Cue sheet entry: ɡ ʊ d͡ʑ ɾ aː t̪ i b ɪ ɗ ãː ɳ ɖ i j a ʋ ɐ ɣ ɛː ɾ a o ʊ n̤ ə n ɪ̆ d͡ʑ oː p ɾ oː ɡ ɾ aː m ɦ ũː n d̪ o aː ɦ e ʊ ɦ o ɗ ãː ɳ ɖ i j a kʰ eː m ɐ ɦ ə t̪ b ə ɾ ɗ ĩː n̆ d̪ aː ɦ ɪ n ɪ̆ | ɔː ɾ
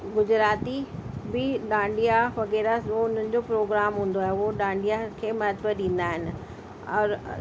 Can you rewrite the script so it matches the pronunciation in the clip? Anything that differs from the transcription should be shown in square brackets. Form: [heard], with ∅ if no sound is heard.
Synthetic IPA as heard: ɡ ʊ d͡ʑ ɾ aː t̪ i b ɪ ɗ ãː ɳ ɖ i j a ʋ ɐ ɣ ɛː ɾ a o ʊ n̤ ə n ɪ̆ d͡ʑ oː p ɾ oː ɡ ɾ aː m ɦ ũː n d̪ o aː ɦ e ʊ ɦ o ɗ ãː ɳ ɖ i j a kʰ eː m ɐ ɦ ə t̪ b ə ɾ ɗ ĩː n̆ d̪ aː ɦ ɪ n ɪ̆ | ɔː ɾ